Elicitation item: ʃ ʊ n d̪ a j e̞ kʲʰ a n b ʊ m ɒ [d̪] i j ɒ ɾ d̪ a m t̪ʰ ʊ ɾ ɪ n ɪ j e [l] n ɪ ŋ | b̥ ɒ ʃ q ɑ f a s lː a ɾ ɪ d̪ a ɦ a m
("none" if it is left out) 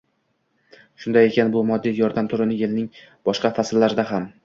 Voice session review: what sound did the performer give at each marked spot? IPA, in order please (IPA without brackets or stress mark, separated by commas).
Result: d̪ː, l